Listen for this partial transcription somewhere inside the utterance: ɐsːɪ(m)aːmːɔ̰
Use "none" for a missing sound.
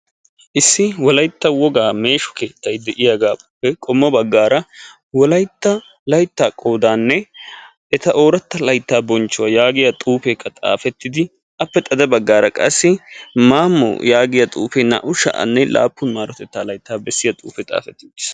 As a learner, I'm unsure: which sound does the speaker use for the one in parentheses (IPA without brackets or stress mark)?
m